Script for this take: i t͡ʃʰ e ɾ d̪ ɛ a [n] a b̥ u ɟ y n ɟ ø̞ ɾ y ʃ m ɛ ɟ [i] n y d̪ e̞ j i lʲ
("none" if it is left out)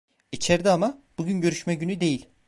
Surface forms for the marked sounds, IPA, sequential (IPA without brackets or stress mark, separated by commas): m, y